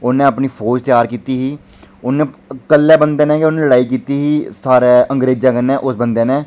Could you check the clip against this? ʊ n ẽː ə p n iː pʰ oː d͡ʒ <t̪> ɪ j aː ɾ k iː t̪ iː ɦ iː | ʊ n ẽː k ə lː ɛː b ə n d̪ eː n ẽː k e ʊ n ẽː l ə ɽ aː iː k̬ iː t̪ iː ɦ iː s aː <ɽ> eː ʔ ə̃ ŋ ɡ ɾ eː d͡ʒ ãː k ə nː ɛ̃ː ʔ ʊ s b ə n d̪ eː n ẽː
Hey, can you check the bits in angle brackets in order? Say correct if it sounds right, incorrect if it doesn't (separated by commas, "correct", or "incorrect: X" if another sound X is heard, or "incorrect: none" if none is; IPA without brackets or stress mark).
correct, incorrect: ɾ